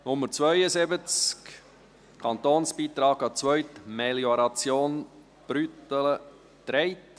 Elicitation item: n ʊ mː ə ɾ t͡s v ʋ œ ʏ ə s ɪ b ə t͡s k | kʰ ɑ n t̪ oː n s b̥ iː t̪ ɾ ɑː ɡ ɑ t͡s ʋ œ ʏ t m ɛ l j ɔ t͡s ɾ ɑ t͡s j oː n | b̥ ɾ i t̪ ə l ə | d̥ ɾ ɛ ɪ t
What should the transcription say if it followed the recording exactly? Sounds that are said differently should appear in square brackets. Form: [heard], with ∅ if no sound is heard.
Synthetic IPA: n ʊ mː ə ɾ t͡s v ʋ œ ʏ ə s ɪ b ə t͡s k | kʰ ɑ n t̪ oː n s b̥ iː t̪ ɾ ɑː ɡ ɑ t͡s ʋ œ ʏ t m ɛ l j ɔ [∅] ɾ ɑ t͡s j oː n | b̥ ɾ [y] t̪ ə l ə | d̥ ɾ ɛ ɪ t